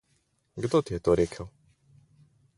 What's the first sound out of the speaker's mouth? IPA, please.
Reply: ɡ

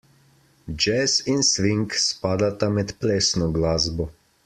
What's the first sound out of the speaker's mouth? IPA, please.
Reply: d͡ʒ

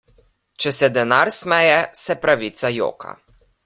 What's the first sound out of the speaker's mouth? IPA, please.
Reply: t͡ʃ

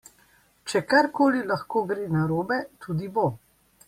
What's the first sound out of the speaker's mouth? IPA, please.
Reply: t͡ʃ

